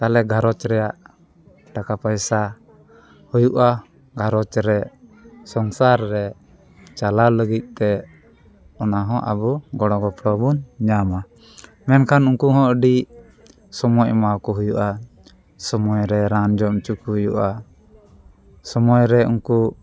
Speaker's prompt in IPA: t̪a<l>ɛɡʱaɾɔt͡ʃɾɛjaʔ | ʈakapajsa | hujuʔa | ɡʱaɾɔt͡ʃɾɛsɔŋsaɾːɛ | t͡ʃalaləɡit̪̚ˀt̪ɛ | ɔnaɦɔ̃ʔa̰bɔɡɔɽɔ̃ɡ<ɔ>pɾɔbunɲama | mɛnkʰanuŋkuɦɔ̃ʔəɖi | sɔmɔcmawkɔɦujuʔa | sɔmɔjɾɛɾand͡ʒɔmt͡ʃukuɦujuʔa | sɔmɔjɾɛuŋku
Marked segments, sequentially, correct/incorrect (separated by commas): correct, correct